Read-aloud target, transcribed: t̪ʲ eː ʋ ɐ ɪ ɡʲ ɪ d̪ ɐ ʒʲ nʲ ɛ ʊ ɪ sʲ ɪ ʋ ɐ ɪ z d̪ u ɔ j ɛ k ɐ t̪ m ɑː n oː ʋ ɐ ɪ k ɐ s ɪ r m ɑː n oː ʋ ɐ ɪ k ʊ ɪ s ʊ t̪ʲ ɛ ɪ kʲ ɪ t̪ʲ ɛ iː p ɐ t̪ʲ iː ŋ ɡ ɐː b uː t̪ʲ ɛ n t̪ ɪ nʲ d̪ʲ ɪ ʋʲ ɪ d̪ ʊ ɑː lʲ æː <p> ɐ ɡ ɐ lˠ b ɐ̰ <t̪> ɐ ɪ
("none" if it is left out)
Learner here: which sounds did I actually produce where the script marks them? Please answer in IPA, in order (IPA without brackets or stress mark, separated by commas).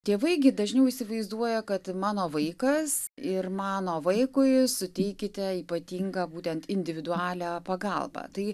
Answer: p, t̪